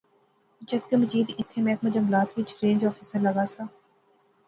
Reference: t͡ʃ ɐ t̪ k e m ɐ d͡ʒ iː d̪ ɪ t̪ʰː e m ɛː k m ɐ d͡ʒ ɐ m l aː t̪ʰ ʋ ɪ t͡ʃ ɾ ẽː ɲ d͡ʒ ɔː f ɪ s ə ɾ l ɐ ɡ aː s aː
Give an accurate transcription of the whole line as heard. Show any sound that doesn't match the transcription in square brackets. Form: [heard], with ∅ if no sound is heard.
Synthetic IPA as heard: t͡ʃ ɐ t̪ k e m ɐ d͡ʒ iː d̪ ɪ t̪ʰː e m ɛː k m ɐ d͡ʒ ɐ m l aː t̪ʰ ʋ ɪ t͡ʃ ɾ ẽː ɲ d͡ʒ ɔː f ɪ s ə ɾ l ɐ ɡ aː s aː